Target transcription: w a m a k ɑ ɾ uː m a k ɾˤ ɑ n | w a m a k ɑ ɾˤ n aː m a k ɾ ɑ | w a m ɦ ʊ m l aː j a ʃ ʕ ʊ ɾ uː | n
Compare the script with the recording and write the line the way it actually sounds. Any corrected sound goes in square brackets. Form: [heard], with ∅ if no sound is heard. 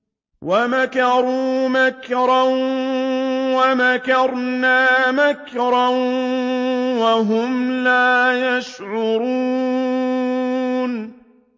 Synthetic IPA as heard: w a m a k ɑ ɾ uː m a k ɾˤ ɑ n | w a m a k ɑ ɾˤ n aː m a k ɾ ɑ | w a [∅] ɦ ʊ m l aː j a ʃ ʕ ʊ ɾ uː | n